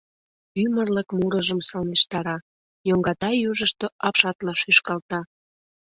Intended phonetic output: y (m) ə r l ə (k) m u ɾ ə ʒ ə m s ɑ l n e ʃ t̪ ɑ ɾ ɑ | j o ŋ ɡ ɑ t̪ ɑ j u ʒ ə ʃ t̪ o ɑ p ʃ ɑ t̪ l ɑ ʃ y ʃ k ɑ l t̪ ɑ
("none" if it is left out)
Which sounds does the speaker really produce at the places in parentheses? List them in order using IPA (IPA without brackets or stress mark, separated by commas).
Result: m, k